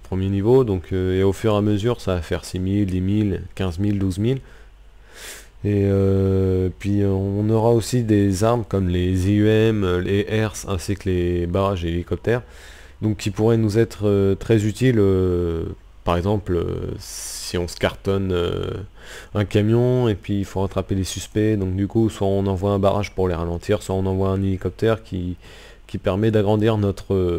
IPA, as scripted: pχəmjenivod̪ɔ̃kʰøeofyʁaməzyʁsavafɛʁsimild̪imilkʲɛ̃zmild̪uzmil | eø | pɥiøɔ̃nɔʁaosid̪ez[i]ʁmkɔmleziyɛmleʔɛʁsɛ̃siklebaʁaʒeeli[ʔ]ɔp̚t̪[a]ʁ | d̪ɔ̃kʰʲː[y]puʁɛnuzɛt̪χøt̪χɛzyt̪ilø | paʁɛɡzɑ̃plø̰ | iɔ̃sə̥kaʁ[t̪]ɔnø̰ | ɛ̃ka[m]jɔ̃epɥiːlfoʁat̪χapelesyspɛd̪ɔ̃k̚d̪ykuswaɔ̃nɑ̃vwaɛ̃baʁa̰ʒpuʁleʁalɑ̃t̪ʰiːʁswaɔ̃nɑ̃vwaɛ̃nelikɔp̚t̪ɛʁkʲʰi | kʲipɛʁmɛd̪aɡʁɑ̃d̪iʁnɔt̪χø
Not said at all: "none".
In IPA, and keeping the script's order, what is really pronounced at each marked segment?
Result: a, k, ɛ, i, t̪, m

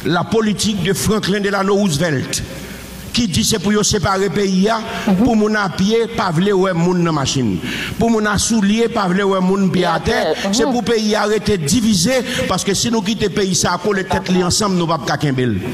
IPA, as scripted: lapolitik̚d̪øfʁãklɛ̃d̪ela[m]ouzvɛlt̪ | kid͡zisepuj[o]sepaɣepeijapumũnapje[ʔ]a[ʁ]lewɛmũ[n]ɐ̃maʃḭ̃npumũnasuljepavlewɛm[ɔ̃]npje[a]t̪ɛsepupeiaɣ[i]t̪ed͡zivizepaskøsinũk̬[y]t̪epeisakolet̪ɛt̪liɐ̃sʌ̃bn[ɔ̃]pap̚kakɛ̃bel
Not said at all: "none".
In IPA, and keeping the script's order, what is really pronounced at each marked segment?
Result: n, o, p, v, nː, ũ, a, e, i, ũ

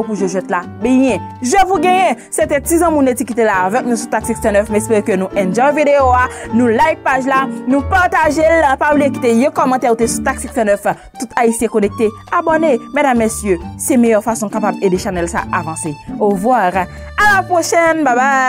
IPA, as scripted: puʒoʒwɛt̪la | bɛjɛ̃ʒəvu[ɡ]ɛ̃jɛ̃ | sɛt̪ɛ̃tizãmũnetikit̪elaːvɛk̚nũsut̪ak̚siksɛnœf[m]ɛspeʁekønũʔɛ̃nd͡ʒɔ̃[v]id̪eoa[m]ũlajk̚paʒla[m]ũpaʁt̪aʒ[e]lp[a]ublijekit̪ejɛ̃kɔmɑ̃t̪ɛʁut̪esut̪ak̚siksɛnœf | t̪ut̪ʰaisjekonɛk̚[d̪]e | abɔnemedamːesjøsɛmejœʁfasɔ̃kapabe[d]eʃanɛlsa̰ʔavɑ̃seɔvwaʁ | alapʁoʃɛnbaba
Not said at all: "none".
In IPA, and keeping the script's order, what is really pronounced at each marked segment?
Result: ɡ, m, v, n, n, e, a, t̪, d

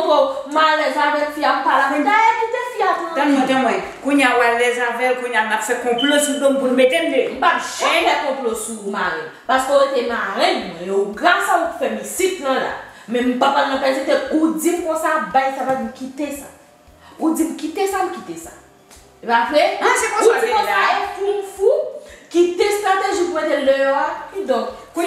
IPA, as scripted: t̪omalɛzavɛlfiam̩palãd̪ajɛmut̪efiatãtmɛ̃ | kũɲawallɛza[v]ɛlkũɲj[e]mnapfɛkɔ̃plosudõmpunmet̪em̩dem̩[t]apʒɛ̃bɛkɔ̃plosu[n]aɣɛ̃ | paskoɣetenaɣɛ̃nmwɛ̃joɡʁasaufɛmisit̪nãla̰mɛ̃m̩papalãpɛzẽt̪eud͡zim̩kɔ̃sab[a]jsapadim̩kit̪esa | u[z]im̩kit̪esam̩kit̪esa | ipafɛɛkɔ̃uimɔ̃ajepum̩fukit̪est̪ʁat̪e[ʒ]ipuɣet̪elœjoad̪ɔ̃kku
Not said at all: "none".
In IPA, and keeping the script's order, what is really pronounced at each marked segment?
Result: v, a, p, m, a, d͡z, ʒ

